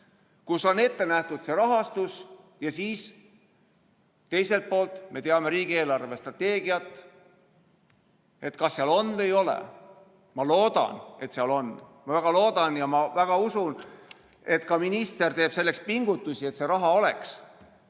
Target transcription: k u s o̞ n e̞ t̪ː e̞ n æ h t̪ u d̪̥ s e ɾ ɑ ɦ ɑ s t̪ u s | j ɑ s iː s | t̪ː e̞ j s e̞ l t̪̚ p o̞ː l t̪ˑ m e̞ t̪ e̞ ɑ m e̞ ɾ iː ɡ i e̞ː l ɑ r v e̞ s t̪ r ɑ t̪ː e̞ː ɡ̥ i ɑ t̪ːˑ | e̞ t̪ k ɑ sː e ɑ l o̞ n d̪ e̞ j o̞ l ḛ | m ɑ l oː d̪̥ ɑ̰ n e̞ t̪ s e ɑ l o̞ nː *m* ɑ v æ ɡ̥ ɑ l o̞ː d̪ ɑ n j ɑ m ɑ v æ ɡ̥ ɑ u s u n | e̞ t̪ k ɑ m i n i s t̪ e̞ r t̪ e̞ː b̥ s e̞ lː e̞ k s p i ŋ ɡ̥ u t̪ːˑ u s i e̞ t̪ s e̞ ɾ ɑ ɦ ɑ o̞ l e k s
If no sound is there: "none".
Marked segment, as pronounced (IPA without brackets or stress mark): m